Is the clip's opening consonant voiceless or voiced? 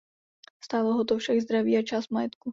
voiceless